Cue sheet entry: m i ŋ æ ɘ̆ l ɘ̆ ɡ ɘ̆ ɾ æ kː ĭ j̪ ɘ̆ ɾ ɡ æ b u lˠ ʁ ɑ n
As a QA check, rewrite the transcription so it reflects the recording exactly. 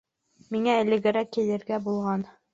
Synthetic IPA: m i ŋ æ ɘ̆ l ɘ̆ ɡ ɘ̆ ɾ æ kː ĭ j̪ ɘ̆ ɾ ɡ æ b u lˠ ʁ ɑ n